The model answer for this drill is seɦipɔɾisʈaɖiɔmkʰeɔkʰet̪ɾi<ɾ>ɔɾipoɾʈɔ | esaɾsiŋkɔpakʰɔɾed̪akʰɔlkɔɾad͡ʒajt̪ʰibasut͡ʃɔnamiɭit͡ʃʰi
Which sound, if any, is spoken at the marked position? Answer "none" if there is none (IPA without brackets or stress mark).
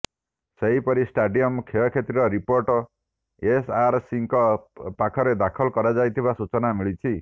ɾ